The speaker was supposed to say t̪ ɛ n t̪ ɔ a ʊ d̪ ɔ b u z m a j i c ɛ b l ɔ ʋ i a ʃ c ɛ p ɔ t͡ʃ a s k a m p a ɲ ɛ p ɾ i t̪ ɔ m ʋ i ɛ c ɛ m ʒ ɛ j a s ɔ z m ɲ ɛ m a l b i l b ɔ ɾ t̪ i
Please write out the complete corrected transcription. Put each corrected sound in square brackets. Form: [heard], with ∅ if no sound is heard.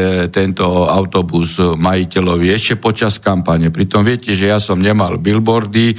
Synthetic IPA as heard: t̪ ɛ n t̪ ɔ a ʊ [t̪] ɔ b u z m a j i c ɛ [∅] l ɔ ʋ i [ɛ] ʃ c ɛ p ɔ t͡ʃ a s k a m p a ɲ ɛ p ɾ i t̪ ɔ m ʋ [ɪ] ɛ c ɛ [∅] ʒ ɛ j a s ɔ [∅] m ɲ ɛ m a l b i l b ɔ ɾ [d̪] i